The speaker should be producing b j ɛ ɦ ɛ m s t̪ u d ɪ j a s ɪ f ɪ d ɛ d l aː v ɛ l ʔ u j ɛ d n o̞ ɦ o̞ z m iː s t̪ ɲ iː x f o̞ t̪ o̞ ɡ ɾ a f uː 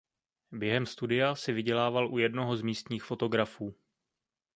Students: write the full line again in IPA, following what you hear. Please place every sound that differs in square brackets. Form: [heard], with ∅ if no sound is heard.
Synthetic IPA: b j ɛ ɦ ɛ m s t̪ u d ɪ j a s ɪ [v] ɪ [ɟ] ɛ [∅] l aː v [a] l ʔ u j ɛ d n o̞ ɦ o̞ z m iː s t̪ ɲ iː x f o̞ t̪ o̞ ɡ ɾ a f uː